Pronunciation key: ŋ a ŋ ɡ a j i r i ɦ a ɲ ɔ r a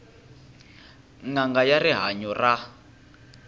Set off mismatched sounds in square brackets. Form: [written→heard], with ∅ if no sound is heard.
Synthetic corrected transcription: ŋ a ŋ ɡ a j [i→a] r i ɦ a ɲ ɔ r a